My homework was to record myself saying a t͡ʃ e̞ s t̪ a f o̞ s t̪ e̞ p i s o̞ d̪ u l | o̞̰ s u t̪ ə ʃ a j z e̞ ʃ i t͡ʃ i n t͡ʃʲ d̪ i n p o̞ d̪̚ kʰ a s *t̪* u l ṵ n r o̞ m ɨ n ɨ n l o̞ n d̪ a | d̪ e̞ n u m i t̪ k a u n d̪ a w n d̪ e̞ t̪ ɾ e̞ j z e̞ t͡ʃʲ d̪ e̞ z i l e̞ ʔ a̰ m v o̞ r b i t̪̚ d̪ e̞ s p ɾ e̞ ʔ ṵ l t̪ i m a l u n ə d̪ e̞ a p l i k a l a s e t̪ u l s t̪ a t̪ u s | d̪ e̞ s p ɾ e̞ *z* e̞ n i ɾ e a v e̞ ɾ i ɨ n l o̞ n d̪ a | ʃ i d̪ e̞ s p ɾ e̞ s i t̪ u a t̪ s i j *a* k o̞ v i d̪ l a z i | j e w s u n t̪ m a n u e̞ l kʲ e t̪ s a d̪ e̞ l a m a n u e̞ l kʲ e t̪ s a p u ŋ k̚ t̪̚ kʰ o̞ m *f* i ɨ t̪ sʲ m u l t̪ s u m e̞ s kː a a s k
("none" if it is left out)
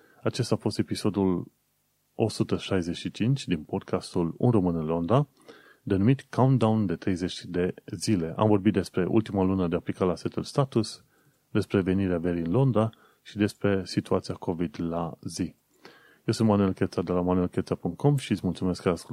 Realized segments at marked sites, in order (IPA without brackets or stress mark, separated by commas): t̪, v, a, ʃ